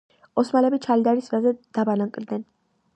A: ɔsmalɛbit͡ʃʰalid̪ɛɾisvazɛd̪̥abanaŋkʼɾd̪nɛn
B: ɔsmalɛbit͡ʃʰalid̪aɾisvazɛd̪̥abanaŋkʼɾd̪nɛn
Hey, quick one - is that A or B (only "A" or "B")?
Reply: B